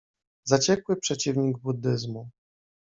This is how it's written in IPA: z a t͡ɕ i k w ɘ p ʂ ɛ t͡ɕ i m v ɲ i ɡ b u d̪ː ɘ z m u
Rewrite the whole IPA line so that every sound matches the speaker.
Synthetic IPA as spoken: z a t͡ɕ ɛ k w ɘ p ʂ ɛ t͡ɕ i v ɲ i ɡ b u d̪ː ɘ z m u